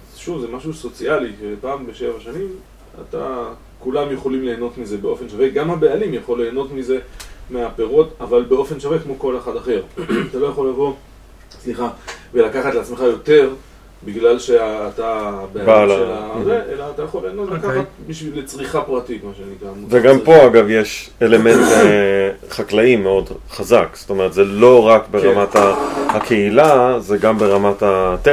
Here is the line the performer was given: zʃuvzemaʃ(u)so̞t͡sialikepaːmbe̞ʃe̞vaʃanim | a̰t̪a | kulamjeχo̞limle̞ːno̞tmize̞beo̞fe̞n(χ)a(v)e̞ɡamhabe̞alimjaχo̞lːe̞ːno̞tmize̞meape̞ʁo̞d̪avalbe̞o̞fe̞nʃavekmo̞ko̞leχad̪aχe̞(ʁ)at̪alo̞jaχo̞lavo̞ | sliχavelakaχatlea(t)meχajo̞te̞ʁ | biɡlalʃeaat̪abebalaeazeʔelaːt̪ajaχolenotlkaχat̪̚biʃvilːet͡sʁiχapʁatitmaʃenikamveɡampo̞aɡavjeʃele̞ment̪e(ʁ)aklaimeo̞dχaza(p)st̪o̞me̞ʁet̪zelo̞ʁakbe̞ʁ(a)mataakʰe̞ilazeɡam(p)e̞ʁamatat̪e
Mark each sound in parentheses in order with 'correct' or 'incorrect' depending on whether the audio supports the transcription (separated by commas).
correct, incorrect, correct, correct, incorrect, incorrect, incorrect, correct, incorrect